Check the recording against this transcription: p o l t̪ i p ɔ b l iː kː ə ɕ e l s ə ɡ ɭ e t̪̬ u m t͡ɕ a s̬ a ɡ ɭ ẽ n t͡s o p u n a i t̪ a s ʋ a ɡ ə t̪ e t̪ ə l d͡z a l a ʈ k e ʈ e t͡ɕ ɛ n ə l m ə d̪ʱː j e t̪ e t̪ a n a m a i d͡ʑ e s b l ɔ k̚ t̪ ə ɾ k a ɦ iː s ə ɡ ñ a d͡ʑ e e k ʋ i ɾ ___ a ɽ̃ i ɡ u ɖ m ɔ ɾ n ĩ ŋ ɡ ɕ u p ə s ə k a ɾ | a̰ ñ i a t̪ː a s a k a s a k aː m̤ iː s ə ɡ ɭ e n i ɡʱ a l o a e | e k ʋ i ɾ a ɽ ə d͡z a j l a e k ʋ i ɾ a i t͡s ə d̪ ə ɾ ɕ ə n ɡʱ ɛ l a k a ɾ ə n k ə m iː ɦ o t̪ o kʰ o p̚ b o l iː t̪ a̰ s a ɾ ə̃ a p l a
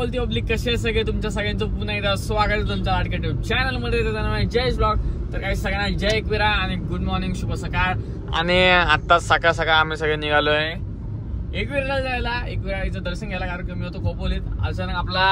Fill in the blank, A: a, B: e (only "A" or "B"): A